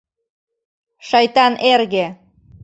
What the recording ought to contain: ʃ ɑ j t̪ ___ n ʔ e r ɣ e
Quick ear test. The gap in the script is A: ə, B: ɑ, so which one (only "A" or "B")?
B